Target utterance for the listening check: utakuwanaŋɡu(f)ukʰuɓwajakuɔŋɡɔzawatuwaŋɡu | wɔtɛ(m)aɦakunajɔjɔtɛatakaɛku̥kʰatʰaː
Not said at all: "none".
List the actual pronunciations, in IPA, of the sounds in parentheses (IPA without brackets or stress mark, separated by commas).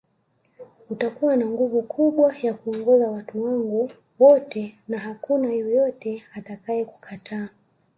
v, n